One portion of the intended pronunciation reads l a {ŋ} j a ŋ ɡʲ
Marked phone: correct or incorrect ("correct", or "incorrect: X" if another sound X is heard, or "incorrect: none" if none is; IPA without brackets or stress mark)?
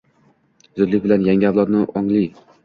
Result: incorrect: n